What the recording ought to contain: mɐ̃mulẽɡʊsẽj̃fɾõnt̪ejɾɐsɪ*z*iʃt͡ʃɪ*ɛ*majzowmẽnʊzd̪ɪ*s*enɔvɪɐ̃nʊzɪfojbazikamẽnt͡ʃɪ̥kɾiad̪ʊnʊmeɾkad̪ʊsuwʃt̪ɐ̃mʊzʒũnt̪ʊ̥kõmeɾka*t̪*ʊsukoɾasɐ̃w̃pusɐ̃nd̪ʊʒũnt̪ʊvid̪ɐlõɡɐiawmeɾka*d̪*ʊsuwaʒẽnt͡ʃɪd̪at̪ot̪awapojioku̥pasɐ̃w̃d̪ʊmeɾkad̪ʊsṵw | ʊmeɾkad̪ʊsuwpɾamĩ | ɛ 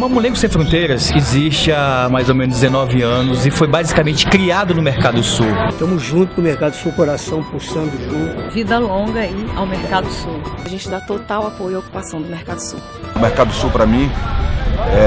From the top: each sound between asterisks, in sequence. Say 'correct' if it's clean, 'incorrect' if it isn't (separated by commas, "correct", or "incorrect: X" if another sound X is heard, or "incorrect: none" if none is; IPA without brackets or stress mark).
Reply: correct, incorrect: a, incorrect: z, incorrect: d̪, correct